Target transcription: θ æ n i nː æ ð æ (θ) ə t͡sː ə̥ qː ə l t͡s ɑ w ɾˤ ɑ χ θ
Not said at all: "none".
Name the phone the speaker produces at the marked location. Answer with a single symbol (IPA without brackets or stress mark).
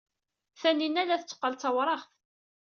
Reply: θ